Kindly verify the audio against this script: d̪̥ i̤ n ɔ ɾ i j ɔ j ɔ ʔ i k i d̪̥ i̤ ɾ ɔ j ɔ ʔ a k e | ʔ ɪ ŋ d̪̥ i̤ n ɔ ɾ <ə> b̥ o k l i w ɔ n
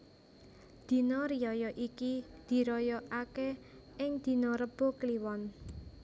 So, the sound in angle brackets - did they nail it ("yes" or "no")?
yes